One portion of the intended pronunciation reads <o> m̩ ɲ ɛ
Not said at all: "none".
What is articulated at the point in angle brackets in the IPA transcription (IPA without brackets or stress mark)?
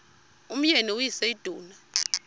u